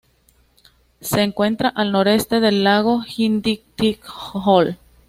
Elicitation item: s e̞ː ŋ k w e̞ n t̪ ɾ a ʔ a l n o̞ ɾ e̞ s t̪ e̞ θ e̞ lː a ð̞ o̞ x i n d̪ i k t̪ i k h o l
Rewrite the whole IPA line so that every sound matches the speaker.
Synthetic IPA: s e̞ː ŋ k w e̞ n t̪ ɾ a ʔ a l n o̞ ɾ e̞ s t̪ e̞ ð e̞ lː a ɣ̞ o̞ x i n d̪ i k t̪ i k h o l